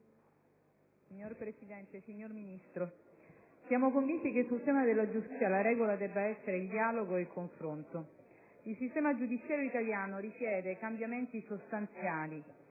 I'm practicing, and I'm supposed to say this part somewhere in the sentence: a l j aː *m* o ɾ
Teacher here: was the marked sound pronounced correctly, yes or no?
no